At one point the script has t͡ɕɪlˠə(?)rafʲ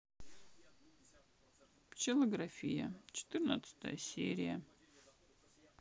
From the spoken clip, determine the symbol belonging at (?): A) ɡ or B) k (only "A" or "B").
A